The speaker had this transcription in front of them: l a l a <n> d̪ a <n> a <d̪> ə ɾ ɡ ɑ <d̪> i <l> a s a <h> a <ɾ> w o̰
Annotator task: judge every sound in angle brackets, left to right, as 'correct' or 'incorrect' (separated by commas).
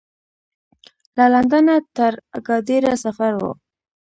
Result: correct, correct, incorrect, correct, incorrect, incorrect, correct